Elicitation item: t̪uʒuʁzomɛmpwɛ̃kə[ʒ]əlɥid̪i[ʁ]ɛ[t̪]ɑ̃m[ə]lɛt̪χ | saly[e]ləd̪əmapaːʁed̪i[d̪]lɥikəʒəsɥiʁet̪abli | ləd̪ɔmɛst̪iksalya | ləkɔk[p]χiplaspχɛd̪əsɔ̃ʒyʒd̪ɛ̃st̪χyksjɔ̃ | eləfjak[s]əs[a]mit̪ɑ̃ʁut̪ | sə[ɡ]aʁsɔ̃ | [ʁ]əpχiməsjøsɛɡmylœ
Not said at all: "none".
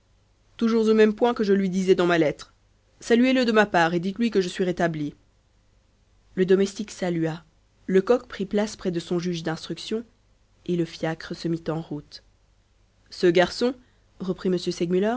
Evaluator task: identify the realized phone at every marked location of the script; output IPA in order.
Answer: ʒ, z, d̪, a, e, t̪, p, χ, ə, ɡ, ʁ

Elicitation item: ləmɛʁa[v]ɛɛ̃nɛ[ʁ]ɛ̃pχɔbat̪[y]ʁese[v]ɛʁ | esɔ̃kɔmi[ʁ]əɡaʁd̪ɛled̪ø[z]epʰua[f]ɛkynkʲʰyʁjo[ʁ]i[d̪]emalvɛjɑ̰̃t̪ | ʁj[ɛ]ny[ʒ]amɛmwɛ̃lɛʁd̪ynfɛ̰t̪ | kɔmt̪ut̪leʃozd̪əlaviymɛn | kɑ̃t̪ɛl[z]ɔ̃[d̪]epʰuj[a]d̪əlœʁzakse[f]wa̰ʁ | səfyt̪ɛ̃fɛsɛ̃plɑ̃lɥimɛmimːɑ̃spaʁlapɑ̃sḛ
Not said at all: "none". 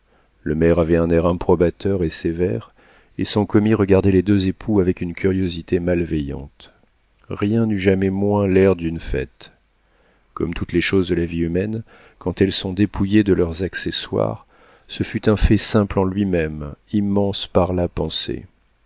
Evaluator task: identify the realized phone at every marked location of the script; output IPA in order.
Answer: v, ʁ, œ, v, ʁ, z, v, z, t̪, ɛ̃, ʒ, s, d̪, e, s

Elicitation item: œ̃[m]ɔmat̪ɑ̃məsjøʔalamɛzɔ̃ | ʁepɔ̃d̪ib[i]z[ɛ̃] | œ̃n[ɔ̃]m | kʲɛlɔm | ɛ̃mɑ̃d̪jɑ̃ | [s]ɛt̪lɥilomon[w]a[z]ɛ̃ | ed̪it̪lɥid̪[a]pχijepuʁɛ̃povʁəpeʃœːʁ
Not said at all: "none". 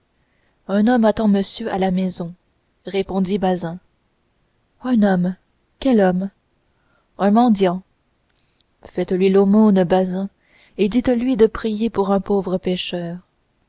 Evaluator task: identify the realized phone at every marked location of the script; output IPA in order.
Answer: n, a, ɛ̃, ɔ, f, b, z, ə

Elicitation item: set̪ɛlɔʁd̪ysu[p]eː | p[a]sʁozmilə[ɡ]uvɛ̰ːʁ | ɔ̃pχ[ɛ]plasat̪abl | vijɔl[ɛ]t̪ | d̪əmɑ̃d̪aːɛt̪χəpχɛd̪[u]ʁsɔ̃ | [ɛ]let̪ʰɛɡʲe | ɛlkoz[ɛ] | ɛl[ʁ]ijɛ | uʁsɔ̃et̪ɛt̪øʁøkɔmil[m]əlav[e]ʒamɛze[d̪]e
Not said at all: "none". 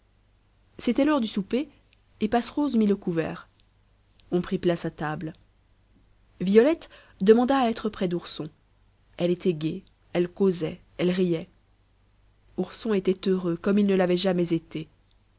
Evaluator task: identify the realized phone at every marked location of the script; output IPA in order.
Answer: p, a, k, i, ɛ, u, ɛ, ɛ, ʁ, n, ɛ, t̪

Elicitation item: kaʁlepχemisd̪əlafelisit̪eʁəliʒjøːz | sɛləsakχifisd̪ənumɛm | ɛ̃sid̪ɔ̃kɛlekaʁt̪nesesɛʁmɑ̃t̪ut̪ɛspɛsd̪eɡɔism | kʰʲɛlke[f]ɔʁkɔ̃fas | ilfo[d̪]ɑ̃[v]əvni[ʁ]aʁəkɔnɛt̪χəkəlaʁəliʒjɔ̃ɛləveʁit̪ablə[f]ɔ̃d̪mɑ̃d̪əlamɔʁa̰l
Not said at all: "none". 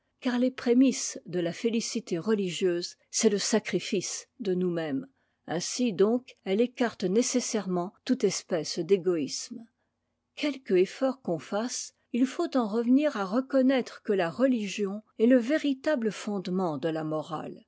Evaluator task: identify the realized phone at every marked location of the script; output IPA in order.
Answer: f, t̪, ʁ, ʁ, f

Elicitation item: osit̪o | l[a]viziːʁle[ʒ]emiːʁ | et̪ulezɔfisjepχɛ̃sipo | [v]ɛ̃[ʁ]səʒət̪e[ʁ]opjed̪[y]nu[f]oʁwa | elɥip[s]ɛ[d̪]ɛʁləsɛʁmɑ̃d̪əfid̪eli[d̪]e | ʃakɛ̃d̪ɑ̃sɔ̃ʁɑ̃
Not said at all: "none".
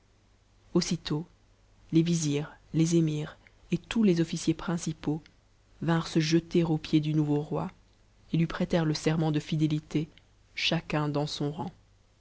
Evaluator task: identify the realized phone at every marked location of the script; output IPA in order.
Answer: e, z, v, ʁ, ʁ, y, v, χ, t̪, t̪

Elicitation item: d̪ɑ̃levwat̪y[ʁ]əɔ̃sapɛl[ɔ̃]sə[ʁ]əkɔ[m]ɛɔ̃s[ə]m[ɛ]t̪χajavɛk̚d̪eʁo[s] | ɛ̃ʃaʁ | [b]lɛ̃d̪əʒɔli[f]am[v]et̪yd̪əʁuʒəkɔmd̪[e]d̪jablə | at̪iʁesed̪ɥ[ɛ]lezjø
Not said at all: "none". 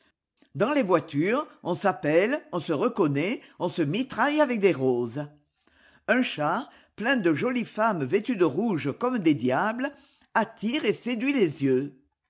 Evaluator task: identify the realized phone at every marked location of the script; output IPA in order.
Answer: ʁ, ɔ̃, ʁ, n, ə, i, z, p, f, v, e, i

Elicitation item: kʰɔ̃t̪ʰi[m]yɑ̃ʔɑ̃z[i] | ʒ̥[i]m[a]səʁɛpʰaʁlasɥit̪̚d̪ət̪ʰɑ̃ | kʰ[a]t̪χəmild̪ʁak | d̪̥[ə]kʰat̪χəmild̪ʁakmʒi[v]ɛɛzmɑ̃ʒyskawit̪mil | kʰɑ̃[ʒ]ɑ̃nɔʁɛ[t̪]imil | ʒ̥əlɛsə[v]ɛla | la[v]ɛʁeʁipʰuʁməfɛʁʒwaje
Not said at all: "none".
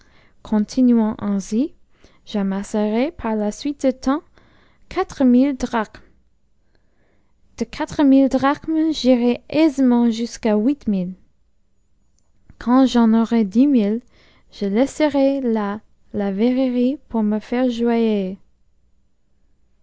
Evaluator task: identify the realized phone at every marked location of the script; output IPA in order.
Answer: n, i, a, a, a, ə, ʁ, ʒ, d̪, ʁ, v

